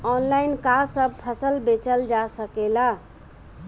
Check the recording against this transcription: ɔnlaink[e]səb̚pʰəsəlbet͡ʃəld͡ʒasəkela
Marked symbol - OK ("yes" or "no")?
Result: no